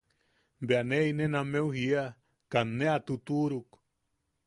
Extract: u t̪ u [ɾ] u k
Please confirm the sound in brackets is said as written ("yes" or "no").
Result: yes